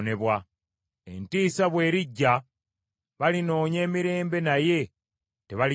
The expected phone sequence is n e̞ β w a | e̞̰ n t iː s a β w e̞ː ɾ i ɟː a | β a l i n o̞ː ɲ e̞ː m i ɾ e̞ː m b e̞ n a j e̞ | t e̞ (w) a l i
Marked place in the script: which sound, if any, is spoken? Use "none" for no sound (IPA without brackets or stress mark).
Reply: β